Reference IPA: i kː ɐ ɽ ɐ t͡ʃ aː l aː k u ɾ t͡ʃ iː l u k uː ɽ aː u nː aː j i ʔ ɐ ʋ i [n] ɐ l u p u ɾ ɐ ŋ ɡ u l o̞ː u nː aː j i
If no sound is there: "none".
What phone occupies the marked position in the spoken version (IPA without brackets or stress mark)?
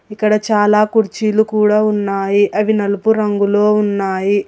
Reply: n